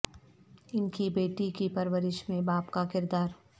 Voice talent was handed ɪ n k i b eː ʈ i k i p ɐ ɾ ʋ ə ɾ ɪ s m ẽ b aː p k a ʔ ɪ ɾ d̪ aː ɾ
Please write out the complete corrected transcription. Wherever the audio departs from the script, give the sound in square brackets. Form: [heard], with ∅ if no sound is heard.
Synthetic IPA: ɪ n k i b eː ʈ i k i p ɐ ɾ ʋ ə ɾ ɪ [ʃ] m ẽ b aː p k a [k] ɪ ɾ d̪ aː ɾ